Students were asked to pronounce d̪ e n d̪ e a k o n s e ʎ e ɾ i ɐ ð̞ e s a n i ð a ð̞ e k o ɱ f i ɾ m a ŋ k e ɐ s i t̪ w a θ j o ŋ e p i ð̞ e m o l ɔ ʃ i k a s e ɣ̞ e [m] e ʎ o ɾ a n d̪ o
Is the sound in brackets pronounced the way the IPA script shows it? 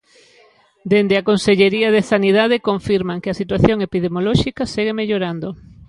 yes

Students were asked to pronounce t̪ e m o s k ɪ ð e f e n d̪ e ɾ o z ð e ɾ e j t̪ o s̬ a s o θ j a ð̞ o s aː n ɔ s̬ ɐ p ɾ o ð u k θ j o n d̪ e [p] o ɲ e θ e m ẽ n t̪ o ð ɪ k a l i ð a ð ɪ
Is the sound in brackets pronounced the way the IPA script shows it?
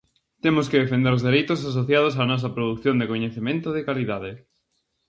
no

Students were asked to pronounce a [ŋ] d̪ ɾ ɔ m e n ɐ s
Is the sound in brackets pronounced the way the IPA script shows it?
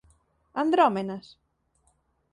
no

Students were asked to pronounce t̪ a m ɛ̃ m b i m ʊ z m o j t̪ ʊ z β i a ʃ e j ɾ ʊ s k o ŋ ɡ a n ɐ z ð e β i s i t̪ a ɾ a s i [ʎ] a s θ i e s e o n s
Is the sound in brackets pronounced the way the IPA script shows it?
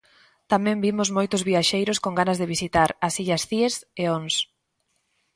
yes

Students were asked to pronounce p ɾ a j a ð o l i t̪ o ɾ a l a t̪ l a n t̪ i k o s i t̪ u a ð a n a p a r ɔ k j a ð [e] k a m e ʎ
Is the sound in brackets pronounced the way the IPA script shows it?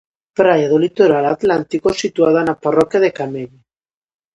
yes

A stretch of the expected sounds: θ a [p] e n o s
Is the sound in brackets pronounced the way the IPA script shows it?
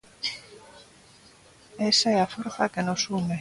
no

